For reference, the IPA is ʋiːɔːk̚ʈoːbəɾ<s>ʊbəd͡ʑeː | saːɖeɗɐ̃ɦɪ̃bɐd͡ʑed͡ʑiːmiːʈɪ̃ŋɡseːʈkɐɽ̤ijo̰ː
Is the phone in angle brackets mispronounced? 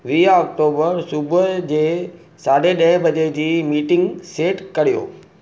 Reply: no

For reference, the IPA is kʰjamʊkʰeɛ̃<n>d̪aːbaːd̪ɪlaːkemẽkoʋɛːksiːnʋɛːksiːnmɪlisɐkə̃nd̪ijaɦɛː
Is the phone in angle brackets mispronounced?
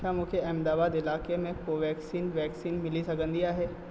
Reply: yes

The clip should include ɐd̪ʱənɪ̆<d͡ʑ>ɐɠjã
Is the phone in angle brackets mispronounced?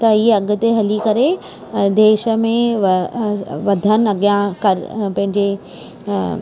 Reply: yes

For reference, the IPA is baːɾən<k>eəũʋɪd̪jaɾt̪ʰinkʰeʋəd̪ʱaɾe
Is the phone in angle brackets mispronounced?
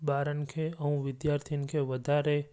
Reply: yes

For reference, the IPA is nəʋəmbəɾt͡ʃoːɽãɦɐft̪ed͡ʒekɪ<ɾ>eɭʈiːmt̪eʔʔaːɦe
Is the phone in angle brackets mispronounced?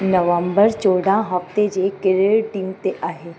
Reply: no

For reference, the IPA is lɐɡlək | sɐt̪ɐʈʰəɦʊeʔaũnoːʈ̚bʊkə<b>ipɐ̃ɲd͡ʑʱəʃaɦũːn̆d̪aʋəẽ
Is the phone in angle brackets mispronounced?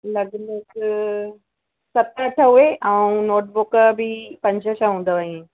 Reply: no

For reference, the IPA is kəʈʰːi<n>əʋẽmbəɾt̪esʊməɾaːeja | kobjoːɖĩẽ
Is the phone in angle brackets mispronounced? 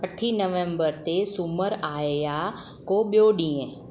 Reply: no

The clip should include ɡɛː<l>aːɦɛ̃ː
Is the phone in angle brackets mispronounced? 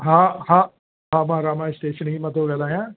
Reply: no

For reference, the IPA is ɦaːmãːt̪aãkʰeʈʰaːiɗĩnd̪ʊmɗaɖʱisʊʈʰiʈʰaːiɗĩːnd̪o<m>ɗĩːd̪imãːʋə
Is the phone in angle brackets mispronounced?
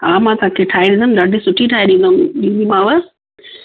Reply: no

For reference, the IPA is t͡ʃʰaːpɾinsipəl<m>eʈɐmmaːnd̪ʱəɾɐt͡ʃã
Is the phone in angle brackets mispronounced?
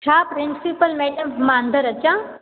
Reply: no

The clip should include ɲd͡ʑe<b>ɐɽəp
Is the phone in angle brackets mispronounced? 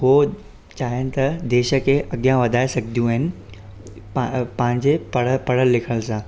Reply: yes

